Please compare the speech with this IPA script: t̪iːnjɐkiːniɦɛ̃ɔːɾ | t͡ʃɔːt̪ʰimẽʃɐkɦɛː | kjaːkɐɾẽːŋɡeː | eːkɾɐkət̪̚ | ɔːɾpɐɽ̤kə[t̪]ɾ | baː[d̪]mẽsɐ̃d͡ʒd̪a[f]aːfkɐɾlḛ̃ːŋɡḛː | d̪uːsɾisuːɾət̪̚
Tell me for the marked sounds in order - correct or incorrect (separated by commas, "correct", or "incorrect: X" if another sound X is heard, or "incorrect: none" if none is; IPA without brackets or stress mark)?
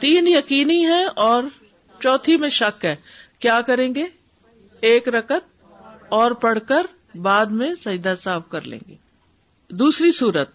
incorrect: none, correct, incorrect: s